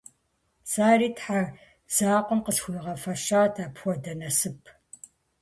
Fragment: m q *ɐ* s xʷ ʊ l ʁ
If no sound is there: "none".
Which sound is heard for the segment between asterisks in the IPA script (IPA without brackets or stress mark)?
ə